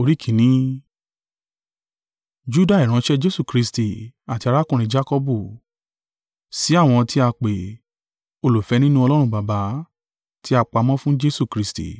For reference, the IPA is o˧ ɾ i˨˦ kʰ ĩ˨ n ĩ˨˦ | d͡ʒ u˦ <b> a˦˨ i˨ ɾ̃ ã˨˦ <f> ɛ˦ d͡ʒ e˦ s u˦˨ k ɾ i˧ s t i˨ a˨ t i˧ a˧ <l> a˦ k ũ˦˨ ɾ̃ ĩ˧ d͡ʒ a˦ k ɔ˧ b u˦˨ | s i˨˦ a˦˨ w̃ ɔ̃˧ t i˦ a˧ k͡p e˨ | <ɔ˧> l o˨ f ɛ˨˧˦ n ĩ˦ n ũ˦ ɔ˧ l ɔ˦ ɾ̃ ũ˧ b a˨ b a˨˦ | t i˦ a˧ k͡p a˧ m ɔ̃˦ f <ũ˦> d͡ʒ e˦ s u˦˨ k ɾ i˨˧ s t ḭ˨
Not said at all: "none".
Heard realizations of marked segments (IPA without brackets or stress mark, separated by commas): d, ʃ, ɾ, o˧, ũ˦